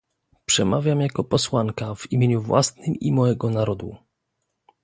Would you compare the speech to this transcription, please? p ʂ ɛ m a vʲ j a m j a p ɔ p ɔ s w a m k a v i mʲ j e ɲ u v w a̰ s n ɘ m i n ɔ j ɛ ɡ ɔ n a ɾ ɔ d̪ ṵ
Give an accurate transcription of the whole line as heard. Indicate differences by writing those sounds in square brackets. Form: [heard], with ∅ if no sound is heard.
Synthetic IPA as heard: p ʂ ɛ m a vʲ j a m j a [k] ɔ p ɔ s w a [ŋ] k a v i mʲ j e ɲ u v w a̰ s n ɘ m i [m] ɔ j ɛ ɡ ɔ n a ɾ ɔ d̪ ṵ